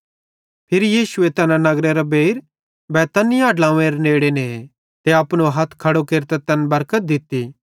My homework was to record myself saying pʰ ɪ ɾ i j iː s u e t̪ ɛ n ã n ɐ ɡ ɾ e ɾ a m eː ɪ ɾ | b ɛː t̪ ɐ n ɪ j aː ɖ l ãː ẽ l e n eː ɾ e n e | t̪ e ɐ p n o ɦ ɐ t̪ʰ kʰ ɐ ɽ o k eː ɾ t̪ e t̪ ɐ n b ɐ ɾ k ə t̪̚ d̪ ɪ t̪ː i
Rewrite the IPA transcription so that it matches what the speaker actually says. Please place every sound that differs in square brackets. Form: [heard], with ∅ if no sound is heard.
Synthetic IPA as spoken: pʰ ɪ ɾ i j iː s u e t̪ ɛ n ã n ɐ ɡ ɾ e ɾ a [b] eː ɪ ɾ | b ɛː t̪ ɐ n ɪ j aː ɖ l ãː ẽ [ɾ] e n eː [ɽ] e n e | t̪ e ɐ p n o ɦ ɐ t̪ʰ kʰ ɐ ɽ o k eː ɾ t̪ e t̪ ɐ n b ɐ ɾ k ə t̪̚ d̪ ɪ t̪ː i